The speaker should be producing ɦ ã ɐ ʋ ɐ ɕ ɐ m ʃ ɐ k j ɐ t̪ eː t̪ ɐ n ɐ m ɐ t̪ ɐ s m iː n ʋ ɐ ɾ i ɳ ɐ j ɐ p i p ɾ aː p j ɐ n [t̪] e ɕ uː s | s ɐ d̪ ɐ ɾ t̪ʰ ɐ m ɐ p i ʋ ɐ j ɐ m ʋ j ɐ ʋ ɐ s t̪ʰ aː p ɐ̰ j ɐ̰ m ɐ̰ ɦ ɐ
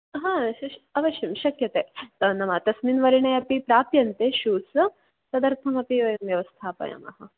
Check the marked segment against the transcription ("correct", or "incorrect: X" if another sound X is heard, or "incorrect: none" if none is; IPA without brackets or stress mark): correct